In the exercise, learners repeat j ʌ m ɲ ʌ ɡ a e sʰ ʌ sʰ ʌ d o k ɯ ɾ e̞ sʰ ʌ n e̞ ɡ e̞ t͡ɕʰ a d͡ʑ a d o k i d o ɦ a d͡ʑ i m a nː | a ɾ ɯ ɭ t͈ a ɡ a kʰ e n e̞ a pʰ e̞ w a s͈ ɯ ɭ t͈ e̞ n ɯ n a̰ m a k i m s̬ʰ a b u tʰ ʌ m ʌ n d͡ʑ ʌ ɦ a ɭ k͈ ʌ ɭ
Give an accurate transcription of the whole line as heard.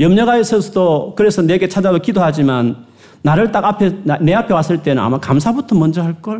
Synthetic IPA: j ʌ m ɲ ʌ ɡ a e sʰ ʌ sʰ ʌ d o k ɯ ɾ e̞ sʰ ʌ n e̞ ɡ e̞ t͡ɕʰ a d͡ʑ a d o k i d o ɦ a d͡ʑ i m a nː | a ɾ ɯ ɭ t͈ a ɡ a pʰ e n e̞ a pʰ e̞ w a s͈ ɯ ɭ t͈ e̞ n ɯ n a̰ m a k a m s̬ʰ a b u tʰ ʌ m ʌ n d͡ʑ ʌ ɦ a ɭ k͈ ʌ ɭ